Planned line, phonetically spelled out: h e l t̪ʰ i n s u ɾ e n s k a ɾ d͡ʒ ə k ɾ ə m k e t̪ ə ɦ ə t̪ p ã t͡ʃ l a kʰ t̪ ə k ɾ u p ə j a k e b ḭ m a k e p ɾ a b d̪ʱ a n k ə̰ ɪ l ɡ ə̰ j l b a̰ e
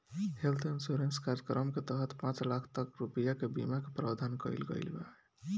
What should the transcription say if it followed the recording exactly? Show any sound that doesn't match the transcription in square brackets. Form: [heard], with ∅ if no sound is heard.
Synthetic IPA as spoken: h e l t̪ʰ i n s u ɾ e n s k a ɾ d͡ʒ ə k ɾ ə m k e t̪ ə ɦ ə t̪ p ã t͡ʃ l a kʰ t̪ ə k ɾ u p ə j a k e b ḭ m a k e p ɾ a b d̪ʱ a n k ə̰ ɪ l ɡ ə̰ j l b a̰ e